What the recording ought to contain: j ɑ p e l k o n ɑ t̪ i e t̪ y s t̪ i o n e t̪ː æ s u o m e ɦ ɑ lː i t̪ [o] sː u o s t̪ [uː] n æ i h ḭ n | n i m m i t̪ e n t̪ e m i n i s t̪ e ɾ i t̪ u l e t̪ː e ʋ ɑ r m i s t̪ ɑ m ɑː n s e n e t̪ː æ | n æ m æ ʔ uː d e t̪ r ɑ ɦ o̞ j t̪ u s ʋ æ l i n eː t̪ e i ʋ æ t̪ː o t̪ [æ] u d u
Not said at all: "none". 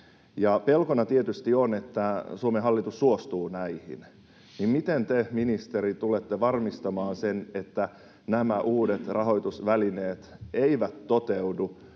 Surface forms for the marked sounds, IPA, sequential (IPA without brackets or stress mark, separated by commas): u, uː, e